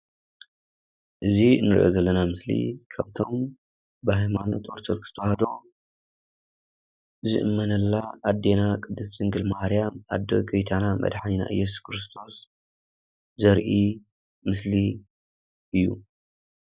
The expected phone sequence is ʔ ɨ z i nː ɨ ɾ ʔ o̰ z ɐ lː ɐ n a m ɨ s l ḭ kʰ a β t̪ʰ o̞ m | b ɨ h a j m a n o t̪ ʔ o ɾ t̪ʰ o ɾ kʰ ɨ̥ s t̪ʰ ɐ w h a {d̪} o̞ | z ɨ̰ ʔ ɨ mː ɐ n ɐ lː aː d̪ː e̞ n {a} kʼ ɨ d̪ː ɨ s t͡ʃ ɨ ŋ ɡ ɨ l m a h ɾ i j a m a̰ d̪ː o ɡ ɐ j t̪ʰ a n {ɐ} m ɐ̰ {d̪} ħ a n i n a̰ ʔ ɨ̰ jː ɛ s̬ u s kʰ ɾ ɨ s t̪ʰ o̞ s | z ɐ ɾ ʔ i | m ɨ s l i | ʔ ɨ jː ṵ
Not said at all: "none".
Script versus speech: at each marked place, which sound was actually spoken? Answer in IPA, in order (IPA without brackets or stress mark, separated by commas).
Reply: d̪, a, a, d̪